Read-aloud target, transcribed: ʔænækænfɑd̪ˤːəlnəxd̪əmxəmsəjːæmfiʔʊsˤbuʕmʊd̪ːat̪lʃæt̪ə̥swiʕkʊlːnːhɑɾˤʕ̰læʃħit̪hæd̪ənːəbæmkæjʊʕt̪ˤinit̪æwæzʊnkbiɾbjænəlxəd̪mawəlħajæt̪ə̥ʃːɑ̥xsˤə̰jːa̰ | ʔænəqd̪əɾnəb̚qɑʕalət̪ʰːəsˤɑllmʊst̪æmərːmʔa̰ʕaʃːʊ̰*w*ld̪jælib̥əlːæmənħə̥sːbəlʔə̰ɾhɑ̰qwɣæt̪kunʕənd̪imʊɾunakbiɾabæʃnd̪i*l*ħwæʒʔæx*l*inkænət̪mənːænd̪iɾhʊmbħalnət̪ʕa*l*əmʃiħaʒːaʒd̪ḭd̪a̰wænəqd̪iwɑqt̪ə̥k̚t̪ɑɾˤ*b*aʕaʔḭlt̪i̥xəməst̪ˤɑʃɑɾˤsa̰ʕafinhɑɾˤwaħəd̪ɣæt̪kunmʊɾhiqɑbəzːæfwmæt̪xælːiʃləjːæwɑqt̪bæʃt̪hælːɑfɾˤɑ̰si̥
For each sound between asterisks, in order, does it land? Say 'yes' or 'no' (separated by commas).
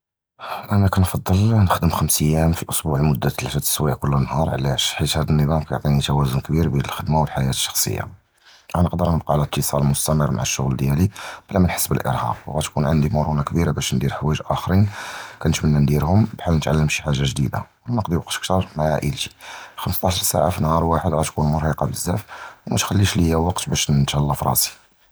no, no, no, no, no